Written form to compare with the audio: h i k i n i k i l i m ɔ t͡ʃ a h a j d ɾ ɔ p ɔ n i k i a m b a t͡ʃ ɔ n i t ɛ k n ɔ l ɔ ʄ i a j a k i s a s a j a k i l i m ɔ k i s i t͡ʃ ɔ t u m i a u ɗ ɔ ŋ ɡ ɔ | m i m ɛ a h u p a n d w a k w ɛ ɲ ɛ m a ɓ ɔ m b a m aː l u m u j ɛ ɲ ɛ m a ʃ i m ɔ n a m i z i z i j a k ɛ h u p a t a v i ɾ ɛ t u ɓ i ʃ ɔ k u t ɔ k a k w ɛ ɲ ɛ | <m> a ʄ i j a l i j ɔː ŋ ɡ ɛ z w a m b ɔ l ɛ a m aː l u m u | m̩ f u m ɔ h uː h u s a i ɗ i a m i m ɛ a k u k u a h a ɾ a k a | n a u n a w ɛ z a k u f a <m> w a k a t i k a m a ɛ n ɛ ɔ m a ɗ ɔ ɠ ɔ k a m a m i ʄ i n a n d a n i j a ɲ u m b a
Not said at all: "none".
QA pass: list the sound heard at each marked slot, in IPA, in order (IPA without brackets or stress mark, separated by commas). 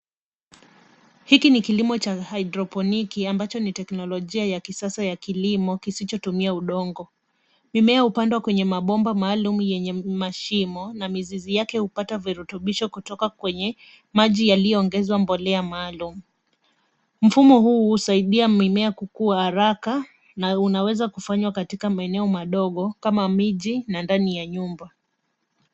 m, ɲ